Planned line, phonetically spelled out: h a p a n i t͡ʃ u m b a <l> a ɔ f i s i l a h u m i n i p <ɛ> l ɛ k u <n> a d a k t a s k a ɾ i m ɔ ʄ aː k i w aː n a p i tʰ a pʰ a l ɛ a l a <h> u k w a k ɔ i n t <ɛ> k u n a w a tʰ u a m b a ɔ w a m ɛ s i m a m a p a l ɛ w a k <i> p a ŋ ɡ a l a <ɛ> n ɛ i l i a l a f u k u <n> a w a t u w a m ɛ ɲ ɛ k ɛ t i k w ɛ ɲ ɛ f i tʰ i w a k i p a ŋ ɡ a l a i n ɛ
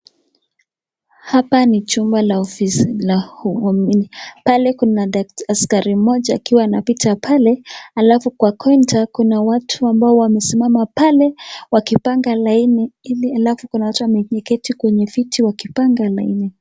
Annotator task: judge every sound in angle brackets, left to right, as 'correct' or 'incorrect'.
correct, incorrect, correct, incorrect, incorrect, correct, incorrect, correct

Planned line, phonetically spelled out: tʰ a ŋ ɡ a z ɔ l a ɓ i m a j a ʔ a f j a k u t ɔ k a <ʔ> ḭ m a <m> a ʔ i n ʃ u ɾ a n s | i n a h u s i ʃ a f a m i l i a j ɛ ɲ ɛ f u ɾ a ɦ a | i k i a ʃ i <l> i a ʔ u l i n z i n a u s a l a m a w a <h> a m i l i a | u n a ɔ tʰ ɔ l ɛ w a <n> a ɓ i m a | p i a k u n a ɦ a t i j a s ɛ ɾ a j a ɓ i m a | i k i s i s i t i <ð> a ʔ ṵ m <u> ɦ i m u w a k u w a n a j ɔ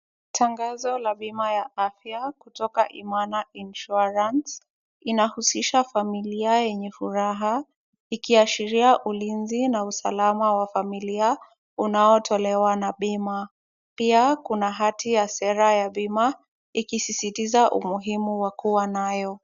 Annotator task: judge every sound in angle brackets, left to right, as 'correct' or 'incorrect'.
correct, incorrect, incorrect, incorrect, correct, incorrect, correct

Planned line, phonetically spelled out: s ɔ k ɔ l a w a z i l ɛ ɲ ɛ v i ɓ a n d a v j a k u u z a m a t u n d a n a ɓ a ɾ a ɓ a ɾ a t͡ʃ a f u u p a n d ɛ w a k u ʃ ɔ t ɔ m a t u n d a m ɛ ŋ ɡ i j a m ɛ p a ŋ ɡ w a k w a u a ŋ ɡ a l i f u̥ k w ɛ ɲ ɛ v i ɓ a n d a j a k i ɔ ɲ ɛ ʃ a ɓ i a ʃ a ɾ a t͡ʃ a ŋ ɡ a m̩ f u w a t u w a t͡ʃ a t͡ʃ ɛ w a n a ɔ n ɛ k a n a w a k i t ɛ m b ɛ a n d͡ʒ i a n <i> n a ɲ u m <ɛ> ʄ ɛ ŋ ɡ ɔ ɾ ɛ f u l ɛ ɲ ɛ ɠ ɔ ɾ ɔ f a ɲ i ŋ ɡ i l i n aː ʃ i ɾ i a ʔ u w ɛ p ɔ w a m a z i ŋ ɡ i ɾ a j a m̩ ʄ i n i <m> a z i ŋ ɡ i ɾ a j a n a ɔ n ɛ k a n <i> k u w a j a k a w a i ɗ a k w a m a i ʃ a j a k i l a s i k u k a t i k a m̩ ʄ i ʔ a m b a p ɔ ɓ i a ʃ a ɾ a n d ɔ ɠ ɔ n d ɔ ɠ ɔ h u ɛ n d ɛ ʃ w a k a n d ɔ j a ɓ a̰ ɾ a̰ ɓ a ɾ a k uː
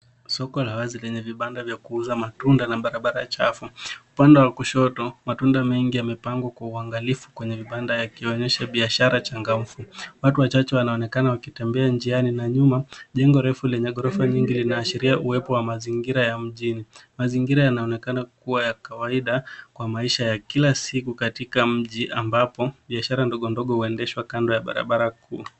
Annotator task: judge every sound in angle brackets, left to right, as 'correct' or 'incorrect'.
correct, incorrect, correct, incorrect

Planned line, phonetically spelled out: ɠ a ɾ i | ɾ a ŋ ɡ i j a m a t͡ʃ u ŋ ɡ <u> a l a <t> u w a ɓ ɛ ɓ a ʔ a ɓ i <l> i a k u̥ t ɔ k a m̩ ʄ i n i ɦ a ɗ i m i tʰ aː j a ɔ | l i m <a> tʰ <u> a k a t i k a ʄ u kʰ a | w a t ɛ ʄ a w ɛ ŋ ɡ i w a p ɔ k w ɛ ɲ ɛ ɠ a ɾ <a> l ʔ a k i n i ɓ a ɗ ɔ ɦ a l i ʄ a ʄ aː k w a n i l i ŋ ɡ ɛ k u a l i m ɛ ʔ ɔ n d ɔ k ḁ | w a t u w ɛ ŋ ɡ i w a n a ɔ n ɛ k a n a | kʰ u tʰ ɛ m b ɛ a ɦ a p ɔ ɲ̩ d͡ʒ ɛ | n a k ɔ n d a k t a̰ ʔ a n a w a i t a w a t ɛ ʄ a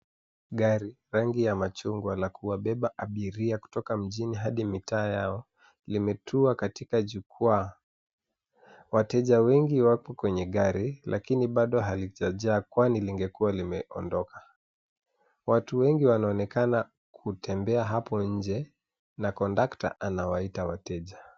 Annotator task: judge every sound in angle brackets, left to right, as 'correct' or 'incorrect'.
incorrect, incorrect, incorrect, incorrect, correct, incorrect

